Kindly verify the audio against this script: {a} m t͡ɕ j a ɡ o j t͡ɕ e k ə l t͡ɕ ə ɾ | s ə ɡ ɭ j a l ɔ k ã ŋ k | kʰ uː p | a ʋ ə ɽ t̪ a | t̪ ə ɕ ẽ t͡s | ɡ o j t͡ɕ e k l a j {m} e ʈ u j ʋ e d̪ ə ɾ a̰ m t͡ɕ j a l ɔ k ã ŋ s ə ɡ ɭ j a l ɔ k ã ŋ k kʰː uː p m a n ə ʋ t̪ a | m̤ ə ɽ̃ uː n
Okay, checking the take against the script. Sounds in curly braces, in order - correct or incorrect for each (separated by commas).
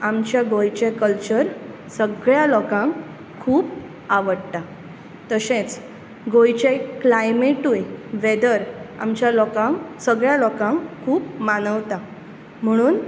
correct, correct